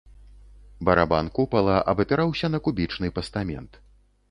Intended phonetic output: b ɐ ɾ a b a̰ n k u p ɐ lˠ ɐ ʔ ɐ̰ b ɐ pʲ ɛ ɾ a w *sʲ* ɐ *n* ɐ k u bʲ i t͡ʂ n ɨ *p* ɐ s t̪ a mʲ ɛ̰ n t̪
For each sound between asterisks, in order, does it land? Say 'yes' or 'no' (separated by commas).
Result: yes, yes, yes